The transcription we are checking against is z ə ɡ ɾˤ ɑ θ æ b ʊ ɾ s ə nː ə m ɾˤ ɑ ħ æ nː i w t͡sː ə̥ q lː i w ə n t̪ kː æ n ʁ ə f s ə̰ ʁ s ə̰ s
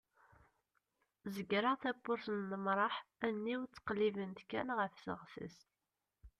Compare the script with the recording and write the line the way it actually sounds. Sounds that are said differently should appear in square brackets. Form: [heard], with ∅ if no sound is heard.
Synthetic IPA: z ə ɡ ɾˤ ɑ θ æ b ʊ ɾ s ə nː ə m ɾˤ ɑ ħ æ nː i w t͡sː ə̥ q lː i [v] ə n t̪ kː æ n ʁ ə f s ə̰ ʁ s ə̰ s